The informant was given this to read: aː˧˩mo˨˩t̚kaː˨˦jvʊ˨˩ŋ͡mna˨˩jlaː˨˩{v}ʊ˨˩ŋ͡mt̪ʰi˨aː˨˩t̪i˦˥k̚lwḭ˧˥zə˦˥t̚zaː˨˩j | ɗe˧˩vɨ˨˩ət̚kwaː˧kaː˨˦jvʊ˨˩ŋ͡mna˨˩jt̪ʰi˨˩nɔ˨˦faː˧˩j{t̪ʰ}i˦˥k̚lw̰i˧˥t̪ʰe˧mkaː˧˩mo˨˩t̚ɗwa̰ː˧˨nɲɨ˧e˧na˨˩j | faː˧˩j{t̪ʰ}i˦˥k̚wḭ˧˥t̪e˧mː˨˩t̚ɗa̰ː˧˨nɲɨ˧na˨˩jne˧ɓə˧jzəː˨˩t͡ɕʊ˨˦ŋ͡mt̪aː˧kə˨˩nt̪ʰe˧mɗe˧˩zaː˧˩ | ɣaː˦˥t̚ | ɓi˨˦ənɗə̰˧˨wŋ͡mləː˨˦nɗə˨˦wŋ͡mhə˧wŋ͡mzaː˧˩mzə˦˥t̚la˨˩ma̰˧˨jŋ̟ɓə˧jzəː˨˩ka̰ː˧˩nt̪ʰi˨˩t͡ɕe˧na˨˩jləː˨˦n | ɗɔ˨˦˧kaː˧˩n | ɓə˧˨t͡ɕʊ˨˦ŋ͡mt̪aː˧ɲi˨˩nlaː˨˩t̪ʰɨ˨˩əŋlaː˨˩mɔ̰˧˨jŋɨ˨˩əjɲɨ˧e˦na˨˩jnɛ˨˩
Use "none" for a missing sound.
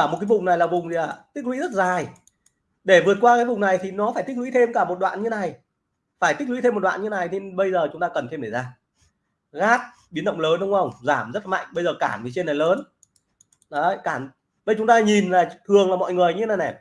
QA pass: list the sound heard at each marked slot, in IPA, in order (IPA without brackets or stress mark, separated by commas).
v, t̪, t̪